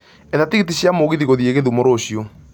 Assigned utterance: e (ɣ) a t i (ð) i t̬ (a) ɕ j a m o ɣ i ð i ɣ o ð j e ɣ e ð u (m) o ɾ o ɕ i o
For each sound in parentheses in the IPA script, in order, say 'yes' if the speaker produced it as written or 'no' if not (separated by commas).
no, no, no, yes